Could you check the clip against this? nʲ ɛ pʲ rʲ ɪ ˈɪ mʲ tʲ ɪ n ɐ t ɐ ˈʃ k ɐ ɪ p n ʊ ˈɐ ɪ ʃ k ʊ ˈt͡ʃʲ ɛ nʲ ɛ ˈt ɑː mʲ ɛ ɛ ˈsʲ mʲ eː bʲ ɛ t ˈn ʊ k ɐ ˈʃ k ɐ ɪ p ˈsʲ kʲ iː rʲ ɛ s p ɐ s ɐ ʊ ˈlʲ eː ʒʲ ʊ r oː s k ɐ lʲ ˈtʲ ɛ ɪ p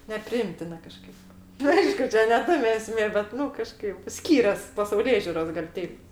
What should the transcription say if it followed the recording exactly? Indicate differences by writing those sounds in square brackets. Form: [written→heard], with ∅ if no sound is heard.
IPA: nʲ ɛ pʲ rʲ ɪ ˈɪ mʲ tʲ ɪ n ɐ [t→k] ɐ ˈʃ k ɐ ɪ p n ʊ ˈɐ ɪ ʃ k ʊ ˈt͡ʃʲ ɛ nʲ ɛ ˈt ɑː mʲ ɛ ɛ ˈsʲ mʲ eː bʲ ɛ t ˈn ʊ k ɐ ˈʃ k ɐ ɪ p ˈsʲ kʲ iː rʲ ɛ s p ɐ s ɐ ʊ ˈlʲ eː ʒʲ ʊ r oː s [k→ɡ] ɐ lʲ ˈtʲ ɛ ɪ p